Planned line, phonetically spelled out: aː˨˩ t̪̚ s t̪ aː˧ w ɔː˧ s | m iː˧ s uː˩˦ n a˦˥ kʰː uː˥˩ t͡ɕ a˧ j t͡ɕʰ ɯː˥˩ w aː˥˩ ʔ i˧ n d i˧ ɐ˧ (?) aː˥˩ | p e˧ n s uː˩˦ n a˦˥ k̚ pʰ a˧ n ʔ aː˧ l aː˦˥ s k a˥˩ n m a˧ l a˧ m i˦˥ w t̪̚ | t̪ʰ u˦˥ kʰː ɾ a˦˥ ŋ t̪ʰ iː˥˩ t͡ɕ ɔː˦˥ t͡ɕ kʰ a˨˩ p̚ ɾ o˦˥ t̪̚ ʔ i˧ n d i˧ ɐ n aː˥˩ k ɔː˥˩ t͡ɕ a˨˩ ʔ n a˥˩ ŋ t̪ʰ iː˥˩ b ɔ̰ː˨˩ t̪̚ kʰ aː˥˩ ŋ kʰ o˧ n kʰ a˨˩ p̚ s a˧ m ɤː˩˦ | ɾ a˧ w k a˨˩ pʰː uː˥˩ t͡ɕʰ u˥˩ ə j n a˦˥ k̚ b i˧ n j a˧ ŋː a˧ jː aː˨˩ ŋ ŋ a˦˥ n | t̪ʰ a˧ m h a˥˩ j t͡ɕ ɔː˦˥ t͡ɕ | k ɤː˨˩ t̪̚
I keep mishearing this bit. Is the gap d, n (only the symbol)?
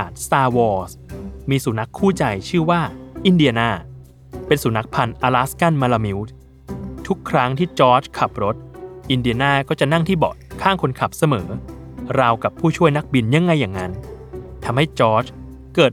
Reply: n